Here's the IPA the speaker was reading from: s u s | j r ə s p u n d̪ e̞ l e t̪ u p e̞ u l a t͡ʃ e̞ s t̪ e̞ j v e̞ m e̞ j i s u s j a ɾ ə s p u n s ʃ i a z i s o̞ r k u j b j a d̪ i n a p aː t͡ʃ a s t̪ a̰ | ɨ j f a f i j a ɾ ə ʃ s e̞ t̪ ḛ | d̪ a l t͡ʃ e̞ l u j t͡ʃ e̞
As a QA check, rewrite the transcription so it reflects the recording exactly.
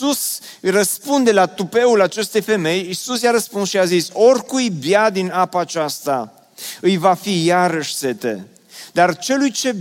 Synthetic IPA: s u s | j r ə s p u n d̪ e̞ l a t̪ u p e̞ u l a t͡ʃ e̞ s t̪ e̞ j f e̞ m e̞ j i s u s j a ɾ ə s p u n s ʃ i a z i s o̞ r k u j b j a d̪ i n a p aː t͡ʃ a s t̪ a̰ | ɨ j v a f i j a ɾ ə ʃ s e̞ t̪ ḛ | d̪ a r t͡ʃ e̞ l u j t͡ʃ e̞